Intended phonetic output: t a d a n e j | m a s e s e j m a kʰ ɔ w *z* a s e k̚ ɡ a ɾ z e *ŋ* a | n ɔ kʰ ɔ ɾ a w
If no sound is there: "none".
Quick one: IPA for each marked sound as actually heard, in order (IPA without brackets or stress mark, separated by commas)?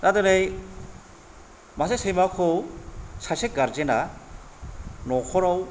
s, n